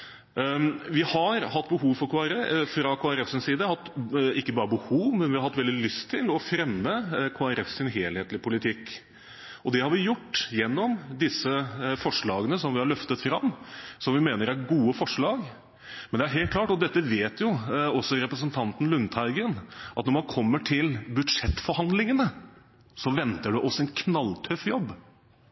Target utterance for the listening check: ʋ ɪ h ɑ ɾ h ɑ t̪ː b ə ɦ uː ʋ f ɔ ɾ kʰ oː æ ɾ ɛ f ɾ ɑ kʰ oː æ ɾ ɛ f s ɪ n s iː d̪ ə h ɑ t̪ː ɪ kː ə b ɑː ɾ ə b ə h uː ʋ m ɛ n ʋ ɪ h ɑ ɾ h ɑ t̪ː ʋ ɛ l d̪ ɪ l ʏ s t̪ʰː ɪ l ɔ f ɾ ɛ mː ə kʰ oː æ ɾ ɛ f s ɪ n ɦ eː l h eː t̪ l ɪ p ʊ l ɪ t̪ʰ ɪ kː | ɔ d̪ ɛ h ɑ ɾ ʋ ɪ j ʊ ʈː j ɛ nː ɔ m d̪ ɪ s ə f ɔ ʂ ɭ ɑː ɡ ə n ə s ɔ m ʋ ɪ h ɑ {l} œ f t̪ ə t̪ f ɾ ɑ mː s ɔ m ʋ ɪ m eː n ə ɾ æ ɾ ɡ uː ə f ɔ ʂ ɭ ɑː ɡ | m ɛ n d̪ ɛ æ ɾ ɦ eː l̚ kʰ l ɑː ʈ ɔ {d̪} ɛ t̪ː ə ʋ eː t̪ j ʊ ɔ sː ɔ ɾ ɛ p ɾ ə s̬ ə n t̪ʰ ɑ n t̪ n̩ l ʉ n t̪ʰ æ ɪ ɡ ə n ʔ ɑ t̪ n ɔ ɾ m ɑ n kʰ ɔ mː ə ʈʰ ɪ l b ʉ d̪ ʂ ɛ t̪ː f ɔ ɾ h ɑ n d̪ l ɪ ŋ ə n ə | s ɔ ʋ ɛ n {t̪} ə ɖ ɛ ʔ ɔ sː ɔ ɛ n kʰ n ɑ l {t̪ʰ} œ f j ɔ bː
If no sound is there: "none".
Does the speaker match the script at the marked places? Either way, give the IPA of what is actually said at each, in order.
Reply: ɭ, d̪, t̪, t̪ʰ

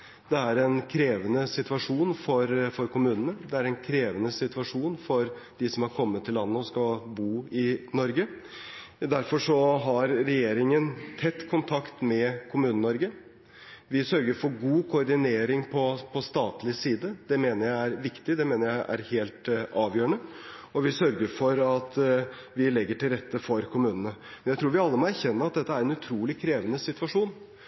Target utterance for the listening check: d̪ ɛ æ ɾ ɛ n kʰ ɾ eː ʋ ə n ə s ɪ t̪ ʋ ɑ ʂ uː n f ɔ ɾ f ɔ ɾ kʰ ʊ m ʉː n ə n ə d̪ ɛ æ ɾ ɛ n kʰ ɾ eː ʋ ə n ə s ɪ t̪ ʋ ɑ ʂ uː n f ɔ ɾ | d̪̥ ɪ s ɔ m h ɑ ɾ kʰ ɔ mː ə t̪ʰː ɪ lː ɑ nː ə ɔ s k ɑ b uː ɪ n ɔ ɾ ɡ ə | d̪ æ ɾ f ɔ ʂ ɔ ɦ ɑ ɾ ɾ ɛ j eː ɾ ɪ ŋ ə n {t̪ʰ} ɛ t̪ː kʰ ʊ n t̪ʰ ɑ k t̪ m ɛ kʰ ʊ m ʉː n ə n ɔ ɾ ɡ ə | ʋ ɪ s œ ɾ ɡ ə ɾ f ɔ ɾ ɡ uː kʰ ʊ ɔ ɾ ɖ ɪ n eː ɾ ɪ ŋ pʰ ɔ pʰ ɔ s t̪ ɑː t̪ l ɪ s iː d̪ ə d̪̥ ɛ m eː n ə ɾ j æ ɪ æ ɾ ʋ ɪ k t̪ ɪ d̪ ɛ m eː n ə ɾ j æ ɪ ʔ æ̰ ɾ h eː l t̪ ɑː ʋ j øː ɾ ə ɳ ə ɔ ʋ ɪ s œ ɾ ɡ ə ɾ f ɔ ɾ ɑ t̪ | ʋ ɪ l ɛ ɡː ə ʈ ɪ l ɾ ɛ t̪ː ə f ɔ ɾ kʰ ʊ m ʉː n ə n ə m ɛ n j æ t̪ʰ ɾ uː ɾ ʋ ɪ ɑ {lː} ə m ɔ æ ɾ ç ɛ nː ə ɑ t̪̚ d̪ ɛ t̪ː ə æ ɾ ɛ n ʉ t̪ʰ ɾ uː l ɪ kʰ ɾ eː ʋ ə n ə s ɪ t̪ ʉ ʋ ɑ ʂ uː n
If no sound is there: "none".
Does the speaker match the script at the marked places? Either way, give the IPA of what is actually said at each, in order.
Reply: t̪ʰ, lː

